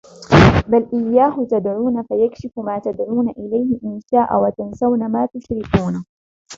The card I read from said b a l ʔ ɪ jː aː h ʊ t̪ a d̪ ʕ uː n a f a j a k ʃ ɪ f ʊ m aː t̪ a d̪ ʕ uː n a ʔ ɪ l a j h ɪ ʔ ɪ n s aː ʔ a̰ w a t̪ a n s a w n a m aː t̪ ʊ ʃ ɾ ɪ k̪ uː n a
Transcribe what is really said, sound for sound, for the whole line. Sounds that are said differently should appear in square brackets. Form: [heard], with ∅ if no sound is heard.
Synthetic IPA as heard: b a l ʔ ɪ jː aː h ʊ t̪ a d̪ ʕ uː n a f a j a k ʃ ɪ f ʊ m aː t̪ a d̪ ʕ uː n a ʔ ɪ l a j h ɪ ʔ ɪ n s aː ʔ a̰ w a t̪ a n s a w n a m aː t̪ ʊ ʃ ɾ ɪ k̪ uː n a

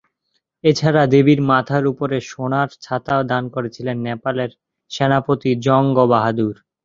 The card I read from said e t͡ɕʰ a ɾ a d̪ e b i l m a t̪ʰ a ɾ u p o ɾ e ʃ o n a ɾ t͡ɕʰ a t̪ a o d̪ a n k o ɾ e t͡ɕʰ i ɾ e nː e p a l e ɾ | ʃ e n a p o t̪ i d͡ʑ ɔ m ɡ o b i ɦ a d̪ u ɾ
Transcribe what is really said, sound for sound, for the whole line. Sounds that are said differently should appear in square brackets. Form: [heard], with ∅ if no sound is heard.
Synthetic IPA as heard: e t͡ɕʰ a ɾ a d̪ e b i [ɾ] m a t̪ʰ a ɾ u p o ɾ e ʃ o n a ɾ t͡ɕʰ a t̪ a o d̪ a n k o ɾ e t͡ɕʰ i [l] e nː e p a l e ɾ | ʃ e n a p o t̪ i d͡ʑ ɔ [ŋ] ɡ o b [a] ɦ a d̪ u ɾ

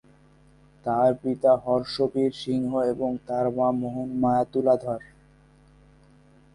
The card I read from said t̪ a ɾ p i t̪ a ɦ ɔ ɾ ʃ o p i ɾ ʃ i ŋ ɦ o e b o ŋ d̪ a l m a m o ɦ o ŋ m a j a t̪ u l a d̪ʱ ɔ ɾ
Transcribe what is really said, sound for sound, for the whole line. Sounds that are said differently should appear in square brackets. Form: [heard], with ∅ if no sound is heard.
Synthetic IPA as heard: t̪ a ɾ p i t̪ a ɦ ɔ ɾ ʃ o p i ɾ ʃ i ŋ ɦ o e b o ŋ [t̪] a [ɾ] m a m o ɦ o [n] m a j a t̪ u l a d̪ʱ ɔ ɾ

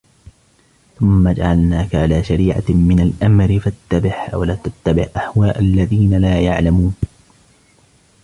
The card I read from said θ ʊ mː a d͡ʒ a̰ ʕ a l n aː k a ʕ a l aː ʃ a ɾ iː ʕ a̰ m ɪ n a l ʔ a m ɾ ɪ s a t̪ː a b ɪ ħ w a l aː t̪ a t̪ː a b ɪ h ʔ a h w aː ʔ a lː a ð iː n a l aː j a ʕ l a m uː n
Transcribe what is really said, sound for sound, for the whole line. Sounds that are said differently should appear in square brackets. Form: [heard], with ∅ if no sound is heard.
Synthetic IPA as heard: θ ʊ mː a d͡ʒ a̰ ʕ a l n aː k a ʕ a l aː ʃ a ɾ iː ʕ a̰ m ɪ n a l ʔ a m ɾ ɪ [f] a t̪ː a b ɪ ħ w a l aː t̪ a t̪ː a b ɪ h ʔ a h w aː ʔ a lː a ð iː n a l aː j a ʕ l a m uː n

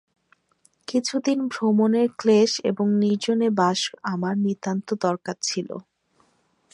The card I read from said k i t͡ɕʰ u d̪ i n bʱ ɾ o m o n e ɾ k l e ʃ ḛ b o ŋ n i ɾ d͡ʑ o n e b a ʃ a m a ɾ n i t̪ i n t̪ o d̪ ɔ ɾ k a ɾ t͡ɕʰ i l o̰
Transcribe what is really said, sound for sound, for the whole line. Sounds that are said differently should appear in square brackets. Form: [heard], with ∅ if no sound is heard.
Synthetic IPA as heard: k i t͡ɕʰ u d̪ i n bʱ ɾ o m o n e ɾ k l e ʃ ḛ b o ŋ n i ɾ d͡ʑ o n e b a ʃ a m a ɾ n i t̪ [a] n t̪ o d̪ ɔ ɾ k a ɾ t͡ɕʰ i l o̰

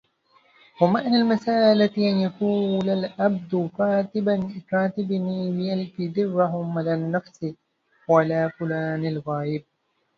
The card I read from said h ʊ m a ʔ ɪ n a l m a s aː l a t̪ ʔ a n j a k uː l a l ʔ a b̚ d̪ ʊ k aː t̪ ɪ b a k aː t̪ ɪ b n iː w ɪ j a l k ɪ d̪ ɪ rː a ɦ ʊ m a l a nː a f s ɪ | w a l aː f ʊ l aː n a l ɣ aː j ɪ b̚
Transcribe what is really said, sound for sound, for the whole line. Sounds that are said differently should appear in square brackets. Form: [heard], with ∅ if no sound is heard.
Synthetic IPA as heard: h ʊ m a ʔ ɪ n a l m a s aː l a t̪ ʔ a n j a k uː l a l ʔ a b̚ d̪ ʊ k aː t̪ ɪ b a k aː t̪ ɪ b n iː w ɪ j a l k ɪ d̪ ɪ rː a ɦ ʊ m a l a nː a f s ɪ | w a l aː f ʊ l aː n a l ɣ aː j ɪ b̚

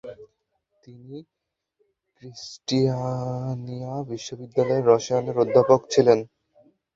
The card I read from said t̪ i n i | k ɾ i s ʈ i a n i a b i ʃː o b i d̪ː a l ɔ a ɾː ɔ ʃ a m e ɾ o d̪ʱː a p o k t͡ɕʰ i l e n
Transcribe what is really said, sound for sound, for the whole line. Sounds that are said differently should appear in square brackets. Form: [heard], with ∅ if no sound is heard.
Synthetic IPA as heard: t̪ i n i | k ɾ i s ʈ i a n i a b i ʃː o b i d̪ː a l ɔ [e] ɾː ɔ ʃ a [n] e ɾ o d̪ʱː a p o k t͡ɕʰ i l e n

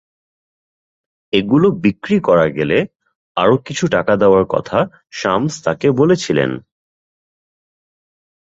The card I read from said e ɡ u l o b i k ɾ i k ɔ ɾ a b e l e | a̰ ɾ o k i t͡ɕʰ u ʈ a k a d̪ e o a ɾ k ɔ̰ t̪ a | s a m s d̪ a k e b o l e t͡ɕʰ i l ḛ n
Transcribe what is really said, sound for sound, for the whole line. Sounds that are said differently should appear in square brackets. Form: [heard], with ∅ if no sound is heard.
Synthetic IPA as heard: e ɡ u l o b i k ɾ i k ɔ ɾ a [ɡ] e l e | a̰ ɾ o k i t͡ɕʰ u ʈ a k a d̪ e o a ɾ k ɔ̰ [t̪ʰ] a | [ʃ] a m s [t̪] a k e b o l e t͡ɕʰ i l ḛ n

